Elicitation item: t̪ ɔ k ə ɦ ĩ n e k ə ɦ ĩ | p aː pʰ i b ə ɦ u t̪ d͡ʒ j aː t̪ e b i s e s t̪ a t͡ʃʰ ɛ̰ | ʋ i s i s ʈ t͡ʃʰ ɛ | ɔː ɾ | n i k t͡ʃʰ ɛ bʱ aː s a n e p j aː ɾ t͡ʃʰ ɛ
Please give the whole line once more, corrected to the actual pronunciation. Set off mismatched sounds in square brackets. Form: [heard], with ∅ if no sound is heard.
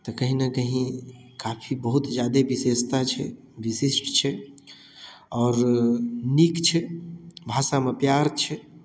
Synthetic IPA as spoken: t̪ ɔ k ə ɦ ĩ n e k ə ɦ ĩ | [k] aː pʰ i b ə ɦ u t̪ d͡ʒ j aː [d̪] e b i s e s t̪ a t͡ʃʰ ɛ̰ | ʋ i s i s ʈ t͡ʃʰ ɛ | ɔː ɾ | n i k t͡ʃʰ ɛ bʱ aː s a [m] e p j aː ɾ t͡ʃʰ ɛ

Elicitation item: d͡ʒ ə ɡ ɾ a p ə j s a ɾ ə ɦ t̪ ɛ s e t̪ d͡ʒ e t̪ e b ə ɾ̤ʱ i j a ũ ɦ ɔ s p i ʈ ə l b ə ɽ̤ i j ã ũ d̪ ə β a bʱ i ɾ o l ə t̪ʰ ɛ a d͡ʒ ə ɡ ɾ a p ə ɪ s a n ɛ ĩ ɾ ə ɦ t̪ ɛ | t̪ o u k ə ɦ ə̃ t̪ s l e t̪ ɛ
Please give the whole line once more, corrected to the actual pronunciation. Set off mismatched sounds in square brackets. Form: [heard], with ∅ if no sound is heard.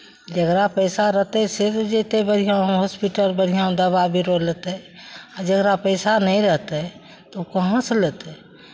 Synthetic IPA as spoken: d͡ʒ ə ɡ ɾ a p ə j s a ɾ ə ɦ t̪ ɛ s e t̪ d͡ʒ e t̪ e b ə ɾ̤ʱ i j a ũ ɦ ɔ s p i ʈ ə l b ə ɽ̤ i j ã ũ d̪ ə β a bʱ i ɾ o l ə [t̪] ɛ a d͡ʒ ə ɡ ɾ a p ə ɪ s a n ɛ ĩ ɾ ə ɦ t̪ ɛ | t̪ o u k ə ɦ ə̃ [∅] s l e t̪ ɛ

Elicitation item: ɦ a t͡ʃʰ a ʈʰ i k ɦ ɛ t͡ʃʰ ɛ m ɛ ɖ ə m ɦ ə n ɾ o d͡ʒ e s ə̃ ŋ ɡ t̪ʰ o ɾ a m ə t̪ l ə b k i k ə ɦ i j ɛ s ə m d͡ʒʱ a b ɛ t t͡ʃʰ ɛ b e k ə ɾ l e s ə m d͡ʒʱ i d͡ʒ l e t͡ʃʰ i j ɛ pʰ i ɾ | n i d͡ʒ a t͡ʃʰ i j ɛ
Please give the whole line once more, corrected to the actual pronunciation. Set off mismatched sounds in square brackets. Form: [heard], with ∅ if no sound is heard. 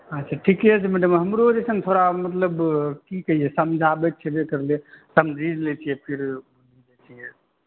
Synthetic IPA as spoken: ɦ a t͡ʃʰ a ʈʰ i k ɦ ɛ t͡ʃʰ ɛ m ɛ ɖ ə m ɦ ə [m] ɾ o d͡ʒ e s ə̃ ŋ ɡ t̪ʰ o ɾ a m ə t̪ l ə b k i k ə ɦ i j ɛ s ə m d͡ʒʱ a b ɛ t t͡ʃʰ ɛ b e k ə ɾ l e s ə m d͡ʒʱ i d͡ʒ l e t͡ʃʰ i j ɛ pʰ i ɾ | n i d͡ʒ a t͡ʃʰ i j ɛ

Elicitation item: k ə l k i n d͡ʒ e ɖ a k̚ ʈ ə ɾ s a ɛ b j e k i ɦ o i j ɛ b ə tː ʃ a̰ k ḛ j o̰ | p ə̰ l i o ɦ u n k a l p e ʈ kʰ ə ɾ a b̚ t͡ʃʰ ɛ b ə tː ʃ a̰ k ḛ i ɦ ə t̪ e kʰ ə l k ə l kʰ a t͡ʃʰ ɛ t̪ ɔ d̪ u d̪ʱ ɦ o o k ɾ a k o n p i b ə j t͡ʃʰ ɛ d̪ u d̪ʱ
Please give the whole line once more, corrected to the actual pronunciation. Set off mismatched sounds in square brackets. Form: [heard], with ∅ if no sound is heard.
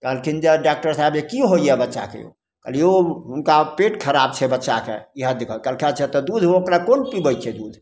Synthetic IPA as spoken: k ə l k i n d͡ʒ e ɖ a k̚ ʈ ə ɾ s a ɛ b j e k i ɦ o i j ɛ b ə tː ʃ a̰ k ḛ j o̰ | [k] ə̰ l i o ɦ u n k a [∅] p e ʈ kʰ ə ɾ a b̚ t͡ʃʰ ɛ b ə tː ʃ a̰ k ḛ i ɦ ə [d̪] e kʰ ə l k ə l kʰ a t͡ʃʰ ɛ t̪ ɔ d̪ u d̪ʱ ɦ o o k ɾ a k o n p i b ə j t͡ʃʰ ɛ d̪ u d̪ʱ

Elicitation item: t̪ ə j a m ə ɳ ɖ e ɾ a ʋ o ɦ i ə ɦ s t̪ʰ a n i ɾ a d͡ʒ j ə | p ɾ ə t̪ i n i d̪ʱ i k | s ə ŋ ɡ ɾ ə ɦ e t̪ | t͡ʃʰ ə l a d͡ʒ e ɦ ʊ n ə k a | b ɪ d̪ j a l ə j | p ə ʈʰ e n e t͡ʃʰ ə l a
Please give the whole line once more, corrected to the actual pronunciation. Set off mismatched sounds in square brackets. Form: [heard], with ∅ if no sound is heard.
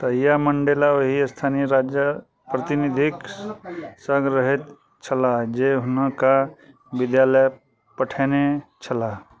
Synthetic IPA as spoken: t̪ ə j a m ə ɳ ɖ e [l] a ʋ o ɦ i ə [∅] s t̪ʰ a n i ɾ a d͡ʒ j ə | p ɾ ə t̪ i n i d̪ʱ i k | s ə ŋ ɡ ɾ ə ɦ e t̪ | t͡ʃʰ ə l a d͡ʒ e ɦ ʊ n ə k a | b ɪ d̪ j a l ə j | p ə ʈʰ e n e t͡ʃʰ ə l a

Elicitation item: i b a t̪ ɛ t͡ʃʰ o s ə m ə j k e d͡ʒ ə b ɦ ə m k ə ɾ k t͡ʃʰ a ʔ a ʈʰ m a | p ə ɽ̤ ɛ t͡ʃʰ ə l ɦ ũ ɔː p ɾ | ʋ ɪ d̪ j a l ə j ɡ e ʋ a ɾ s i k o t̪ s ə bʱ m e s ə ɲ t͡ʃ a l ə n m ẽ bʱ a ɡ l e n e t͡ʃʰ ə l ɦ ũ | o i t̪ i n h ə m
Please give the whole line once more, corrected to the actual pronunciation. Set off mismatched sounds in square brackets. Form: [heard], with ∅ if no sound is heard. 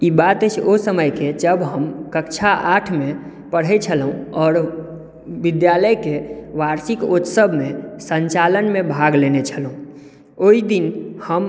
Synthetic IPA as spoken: i b a t̪ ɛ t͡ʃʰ o s ə m ə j k e d͡ʒ ə b ɦ ə m k ə [∅] k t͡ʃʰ a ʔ a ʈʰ m [e] | p ə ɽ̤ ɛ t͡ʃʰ ə l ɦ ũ ɔː [∅] ɾ | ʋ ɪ d̪ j a l ə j [k] e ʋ a ɾ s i k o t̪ s ə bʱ m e s ə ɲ t͡ʃ a l ə n m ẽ bʱ a ɡ l e n e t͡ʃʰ ə l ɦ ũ | o i [d̪] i n h ə m

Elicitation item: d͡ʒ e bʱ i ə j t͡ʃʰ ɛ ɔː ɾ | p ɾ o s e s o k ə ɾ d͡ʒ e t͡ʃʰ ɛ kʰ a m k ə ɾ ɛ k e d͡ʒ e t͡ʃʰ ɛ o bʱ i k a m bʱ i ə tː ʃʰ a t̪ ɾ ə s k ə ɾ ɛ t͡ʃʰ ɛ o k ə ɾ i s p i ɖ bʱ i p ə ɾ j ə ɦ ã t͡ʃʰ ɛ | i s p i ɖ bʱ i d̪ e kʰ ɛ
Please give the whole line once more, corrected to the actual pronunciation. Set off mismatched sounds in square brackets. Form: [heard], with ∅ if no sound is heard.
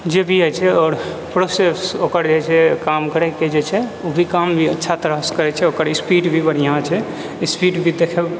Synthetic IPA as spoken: d͡ʒ e bʱ i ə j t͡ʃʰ ɛ ɔː ɾ | p ɾ o s e s o k ə ɾ d͡ʒ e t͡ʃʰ ɛ [k] a m k ə ɾ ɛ k e d͡ʒ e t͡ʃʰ ɛ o bʱ i k a m bʱ i ə tː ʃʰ a t̪ ɾ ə s k ə ɾ ɛ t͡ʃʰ ɛ o k ə ɾ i s p i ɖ bʱ i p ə ɾ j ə ɦ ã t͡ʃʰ ɛ | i s p i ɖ bʱ i d̪ e kʰ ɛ

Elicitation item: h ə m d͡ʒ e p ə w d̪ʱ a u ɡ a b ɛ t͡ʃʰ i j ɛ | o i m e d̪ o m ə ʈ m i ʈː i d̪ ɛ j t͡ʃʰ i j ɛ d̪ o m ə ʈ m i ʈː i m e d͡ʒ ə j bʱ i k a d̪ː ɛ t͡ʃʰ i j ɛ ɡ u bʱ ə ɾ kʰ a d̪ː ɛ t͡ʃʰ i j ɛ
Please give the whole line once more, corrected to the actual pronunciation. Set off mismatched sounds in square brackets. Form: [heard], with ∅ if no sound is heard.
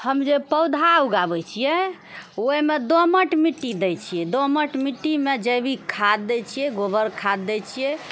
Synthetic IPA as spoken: h ə m d͡ʒ e p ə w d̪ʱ a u ɡ a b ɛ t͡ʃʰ i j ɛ | o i m e d̪ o m ə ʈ m i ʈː i d̪ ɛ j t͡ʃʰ i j ɛ d̪ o m ə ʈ m i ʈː i m e d͡ʒ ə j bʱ i [kʰ] a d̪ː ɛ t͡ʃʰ i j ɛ ɡ [o] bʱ ə ɾ kʰ a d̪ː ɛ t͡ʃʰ i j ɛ

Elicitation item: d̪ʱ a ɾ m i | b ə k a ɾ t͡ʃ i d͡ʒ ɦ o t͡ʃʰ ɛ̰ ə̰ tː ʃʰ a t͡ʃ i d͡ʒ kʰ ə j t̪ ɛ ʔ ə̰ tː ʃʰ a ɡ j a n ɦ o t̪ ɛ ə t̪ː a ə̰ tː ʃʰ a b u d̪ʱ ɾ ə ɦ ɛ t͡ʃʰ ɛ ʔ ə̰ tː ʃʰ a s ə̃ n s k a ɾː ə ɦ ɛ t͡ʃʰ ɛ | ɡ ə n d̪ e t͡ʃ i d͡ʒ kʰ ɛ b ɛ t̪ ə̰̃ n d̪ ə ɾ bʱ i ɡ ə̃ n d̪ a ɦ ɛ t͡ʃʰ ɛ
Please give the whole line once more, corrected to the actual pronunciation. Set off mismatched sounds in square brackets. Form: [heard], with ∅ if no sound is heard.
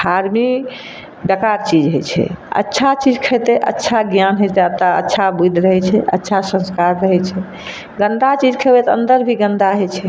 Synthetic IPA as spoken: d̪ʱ a ɾ m i | b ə k a ɾ t͡ʃ i d͡ʒ ɦ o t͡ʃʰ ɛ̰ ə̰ tː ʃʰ a t͡ʃ i d͡ʒ kʰ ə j t̪ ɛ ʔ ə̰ tː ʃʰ a ɡ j a n ɦ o t̪ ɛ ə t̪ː a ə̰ tː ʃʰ a b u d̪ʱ ɾ ə ɦ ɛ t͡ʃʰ ɛ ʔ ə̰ tː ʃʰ a s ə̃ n s k a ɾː ə ɦ ɛ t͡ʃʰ ɛ | ɡ ə n d̪ [a] t͡ʃ i d͡ʒ kʰ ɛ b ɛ t̪ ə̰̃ n d̪ ə ɾ bʱ i ɡ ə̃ n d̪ a ɦ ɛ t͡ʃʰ ɛ

